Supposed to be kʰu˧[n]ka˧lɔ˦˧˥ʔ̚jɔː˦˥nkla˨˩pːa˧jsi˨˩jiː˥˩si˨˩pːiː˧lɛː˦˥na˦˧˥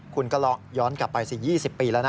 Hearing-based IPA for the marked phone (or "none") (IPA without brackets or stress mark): n